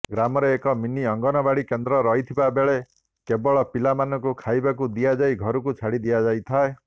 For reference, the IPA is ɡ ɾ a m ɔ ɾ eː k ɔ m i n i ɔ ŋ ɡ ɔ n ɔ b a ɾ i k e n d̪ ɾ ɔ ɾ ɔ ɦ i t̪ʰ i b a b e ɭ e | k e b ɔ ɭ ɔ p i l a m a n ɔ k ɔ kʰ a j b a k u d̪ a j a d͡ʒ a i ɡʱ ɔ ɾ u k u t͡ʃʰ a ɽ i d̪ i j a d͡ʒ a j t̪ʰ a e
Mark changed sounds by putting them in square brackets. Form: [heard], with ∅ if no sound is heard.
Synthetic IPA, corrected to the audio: ɡ ɾ a m ɔ ɾ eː k ɔ m i n i ɔ ŋ ɡ ɔ n ɔ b a [ɽ] i k e n d̪ ɾ ɔ ɾ ɔ ɦ i t̪ʰ i b a b e ɭ e | k e b ɔ ɭ ɔ p i l a m a n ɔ k [u] kʰ a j b a k u d̪ [i] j a d͡ʒ a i ɡʱ ɔ ɾ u k u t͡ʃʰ a ɽ i d̪ i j a d͡ʒ a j t̪ʰ a e